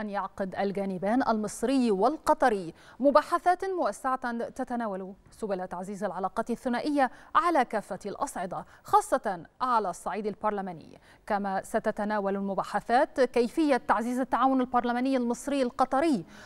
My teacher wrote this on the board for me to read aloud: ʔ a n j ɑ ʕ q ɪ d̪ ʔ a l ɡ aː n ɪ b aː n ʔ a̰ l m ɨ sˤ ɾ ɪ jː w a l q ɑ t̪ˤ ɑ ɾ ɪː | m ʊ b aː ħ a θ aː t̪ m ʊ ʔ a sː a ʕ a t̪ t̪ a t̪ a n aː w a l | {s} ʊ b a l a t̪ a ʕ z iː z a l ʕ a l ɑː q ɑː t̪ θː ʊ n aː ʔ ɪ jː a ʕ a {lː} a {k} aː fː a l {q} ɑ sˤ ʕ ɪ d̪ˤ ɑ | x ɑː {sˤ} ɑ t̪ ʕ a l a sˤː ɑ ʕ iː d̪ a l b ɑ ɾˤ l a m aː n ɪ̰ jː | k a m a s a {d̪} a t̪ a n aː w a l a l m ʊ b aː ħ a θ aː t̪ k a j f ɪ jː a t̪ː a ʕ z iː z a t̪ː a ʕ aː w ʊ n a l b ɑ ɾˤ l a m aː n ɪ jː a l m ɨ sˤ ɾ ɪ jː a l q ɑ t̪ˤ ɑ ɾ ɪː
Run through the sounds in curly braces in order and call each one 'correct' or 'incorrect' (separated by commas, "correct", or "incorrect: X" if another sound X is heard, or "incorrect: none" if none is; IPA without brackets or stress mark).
correct, incorrect: l, correct, incorrect: ʔ, incorrect: sˤː, incorrect: t̪